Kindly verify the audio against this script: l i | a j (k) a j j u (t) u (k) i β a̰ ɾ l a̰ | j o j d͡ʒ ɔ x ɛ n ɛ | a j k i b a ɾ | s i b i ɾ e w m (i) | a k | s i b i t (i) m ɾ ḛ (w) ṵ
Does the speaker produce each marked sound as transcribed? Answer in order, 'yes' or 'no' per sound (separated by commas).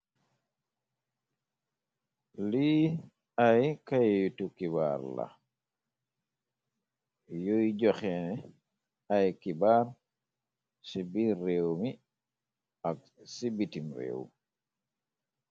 yes, yes, yes, yes, yes, yes